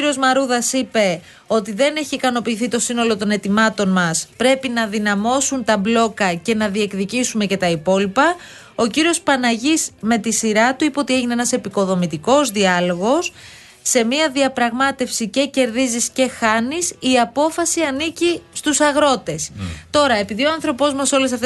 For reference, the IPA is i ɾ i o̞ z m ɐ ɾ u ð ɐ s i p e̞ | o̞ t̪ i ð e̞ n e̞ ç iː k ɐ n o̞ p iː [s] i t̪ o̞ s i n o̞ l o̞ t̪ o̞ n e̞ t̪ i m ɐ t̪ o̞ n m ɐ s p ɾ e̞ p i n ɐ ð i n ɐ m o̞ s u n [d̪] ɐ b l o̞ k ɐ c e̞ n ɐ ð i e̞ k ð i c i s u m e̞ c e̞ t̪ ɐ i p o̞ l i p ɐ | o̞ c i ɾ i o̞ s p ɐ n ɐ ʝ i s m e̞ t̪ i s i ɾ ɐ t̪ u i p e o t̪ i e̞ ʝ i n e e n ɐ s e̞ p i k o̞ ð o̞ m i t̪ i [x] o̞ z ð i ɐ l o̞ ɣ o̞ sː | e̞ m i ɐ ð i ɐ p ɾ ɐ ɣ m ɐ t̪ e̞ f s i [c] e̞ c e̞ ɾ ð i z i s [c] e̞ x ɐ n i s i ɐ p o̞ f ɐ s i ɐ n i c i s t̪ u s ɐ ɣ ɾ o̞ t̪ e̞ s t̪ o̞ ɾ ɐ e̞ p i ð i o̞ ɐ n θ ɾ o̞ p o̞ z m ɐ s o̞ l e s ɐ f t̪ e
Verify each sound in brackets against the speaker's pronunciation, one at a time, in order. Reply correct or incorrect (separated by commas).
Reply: incorrect, incorrect, incorrect, correct, correct